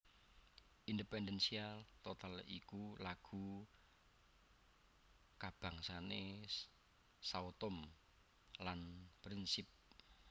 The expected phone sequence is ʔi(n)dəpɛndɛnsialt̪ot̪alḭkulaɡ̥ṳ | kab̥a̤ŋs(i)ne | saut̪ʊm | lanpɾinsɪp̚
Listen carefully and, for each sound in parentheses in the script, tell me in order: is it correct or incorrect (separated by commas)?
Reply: correct, incorrect